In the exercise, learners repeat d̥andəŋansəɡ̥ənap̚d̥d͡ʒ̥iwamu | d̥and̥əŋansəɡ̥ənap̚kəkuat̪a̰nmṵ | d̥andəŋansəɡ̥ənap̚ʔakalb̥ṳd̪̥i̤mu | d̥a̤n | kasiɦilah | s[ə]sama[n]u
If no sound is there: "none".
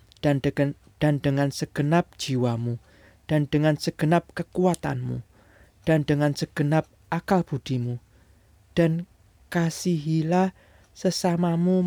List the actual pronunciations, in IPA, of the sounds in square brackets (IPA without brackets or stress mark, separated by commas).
ə, m